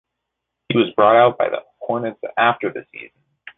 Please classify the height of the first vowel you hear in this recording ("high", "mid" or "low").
high